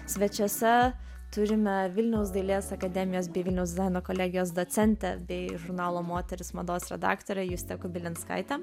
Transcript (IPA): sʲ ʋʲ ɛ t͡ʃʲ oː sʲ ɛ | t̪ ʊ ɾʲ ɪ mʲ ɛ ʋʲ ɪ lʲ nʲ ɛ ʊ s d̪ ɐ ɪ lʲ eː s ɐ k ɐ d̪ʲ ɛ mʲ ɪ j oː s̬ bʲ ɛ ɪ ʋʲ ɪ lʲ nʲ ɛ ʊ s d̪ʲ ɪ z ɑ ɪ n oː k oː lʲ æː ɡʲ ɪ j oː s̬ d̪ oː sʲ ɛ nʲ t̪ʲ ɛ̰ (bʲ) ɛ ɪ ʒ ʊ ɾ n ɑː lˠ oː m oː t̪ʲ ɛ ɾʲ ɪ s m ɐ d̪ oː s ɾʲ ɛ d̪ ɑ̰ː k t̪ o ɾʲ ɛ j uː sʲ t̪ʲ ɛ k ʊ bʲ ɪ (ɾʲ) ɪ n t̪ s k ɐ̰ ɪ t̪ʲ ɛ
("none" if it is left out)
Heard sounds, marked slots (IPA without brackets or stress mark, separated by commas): bʲ, lʲ